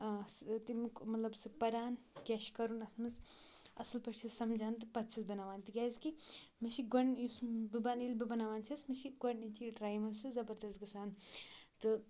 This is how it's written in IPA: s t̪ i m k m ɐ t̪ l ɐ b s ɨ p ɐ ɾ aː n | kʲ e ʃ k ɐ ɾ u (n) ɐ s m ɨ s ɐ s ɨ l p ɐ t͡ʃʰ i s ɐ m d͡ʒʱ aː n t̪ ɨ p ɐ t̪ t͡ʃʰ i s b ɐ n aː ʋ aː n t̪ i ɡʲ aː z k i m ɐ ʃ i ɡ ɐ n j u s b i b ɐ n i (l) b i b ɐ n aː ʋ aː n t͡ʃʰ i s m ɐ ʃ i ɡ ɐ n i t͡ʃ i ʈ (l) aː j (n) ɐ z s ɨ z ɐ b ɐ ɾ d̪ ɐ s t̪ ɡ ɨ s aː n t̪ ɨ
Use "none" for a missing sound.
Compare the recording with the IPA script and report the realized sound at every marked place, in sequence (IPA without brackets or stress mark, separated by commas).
n, l, ɾ, m